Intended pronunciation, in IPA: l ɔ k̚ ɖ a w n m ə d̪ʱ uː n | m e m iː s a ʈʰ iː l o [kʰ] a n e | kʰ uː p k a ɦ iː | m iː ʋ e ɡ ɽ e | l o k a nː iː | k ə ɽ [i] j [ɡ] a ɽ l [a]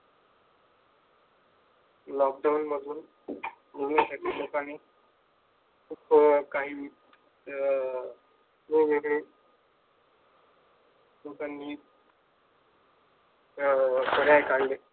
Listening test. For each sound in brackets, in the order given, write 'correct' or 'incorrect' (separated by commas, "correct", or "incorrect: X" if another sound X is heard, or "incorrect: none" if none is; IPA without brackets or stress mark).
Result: incorrect: k, incorrect: a, incorrect: k, incorrect: e